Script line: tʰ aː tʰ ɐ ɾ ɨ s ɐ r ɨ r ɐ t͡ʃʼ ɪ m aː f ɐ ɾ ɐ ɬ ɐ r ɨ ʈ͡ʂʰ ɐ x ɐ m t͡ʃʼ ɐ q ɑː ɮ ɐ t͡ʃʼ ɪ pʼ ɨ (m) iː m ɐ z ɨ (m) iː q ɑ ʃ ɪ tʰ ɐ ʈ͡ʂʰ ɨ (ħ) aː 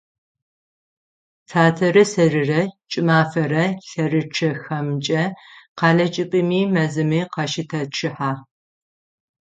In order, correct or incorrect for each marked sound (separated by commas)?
correct, correct, correct